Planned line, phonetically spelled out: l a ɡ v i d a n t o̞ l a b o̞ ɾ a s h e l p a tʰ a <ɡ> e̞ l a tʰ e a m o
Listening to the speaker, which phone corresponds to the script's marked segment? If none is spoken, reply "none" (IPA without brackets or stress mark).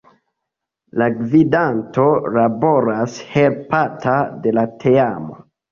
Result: d